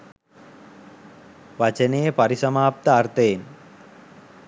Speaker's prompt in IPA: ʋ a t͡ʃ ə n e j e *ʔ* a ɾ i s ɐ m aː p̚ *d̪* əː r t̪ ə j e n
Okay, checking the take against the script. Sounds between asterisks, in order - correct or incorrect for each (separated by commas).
incorrect, incorrect